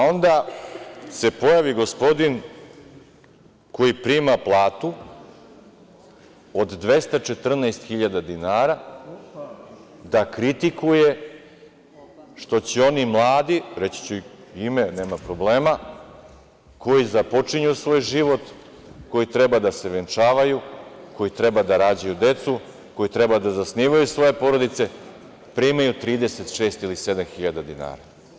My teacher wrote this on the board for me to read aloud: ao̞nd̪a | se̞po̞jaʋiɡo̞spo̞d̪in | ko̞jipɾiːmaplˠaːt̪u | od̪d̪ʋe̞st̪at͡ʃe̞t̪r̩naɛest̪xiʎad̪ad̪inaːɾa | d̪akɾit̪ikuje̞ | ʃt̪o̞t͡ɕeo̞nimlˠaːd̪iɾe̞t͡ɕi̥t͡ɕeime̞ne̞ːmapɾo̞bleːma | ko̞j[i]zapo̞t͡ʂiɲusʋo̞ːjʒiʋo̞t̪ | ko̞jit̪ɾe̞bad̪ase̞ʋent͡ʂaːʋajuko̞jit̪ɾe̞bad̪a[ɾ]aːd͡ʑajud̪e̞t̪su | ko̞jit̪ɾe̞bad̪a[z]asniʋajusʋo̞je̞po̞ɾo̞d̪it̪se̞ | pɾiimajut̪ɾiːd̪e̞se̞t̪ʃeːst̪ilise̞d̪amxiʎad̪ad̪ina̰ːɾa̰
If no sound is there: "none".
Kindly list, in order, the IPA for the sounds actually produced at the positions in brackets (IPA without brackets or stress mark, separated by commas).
i, ɾ, z